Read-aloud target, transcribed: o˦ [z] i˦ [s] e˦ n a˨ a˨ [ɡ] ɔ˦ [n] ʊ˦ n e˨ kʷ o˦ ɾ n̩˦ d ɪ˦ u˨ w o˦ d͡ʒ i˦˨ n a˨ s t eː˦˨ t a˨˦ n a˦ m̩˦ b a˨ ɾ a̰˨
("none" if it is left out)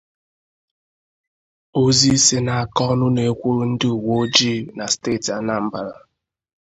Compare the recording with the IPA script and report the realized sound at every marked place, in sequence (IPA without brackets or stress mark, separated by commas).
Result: z, s, k, n